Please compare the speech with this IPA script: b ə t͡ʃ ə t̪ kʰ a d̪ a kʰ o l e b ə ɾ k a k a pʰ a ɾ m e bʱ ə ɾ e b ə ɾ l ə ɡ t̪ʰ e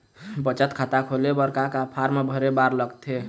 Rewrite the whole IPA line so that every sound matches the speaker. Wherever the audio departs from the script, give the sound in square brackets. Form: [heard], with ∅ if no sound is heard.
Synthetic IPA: b ə t͡ʃ ə t̪ kʰ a [t̪] a kʰ o l e b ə ɾ k a k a pʰ a ɾ m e bʱ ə ɾ e b [a] ɾ l ə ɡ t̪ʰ e